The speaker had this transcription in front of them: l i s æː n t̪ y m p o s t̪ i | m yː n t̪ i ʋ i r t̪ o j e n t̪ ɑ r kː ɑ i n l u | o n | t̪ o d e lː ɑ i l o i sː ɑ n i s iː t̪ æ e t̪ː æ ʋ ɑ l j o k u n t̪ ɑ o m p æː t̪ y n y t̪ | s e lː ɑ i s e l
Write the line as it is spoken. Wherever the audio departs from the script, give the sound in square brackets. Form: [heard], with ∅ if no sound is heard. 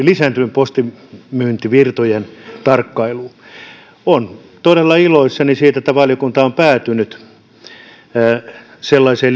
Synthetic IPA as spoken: l i s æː n t̪ y m p o s t̪ i | m yː n t̪ i ʋ i r t̪ o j e n t̪ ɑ r kː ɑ i [∅] l u | o n | t̪ o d e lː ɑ i l o i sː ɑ n i s iː t̪ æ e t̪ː æ ʋ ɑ l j o k u n t̪ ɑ o m p æː t̪ y n y t̪ | s e lː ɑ i s e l

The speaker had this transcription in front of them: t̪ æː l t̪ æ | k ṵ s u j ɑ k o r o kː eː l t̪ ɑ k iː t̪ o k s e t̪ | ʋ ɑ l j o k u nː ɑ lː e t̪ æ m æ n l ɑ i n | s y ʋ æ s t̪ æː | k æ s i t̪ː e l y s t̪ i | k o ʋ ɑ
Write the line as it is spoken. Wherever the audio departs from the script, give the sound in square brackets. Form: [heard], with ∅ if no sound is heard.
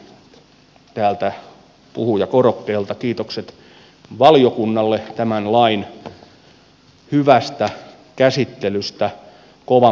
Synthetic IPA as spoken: t̪ æː l t̪ æ | [p] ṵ [h] u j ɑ k o r o kː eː l t̪ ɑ k iː t̪ o k s e t̪ | ʋ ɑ l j o k u nː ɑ lː e t̪ æ m æ n l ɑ i n | [h] y ʋ æ s t̪ [æ] | k æ s i t̪ː e l y s t̪ [æ] | k o ʋ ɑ

